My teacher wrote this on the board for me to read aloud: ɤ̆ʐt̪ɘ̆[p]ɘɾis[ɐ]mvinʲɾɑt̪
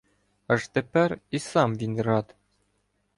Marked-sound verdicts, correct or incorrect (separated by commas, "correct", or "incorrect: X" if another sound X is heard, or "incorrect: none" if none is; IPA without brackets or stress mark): correct, incorrect: ɑ